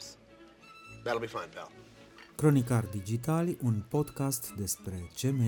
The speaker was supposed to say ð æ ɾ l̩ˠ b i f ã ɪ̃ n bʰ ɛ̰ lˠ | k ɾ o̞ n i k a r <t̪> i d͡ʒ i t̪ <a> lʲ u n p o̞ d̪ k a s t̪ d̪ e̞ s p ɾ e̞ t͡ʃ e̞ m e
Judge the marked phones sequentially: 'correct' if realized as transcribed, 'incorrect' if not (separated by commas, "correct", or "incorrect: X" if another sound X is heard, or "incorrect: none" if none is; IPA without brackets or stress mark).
incorrect: d̪, correct